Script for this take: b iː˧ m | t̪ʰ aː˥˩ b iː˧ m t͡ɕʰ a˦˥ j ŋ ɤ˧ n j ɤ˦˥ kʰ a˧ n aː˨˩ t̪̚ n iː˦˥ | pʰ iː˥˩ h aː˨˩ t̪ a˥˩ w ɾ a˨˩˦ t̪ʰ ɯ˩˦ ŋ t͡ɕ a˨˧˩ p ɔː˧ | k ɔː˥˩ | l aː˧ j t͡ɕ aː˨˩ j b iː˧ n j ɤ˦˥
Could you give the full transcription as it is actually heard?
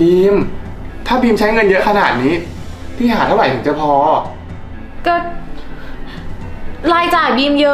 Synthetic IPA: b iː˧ m | t̪ʰ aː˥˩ b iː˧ m t͡ɕʰ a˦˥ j ŋ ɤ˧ n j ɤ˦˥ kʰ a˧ n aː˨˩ t̪̚ n iː˦˥ | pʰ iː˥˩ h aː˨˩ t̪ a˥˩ w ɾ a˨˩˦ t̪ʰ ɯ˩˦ ŋ t͡ɕ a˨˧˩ pʰ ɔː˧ | k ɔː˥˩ | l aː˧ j t͡ɕ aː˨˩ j b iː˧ m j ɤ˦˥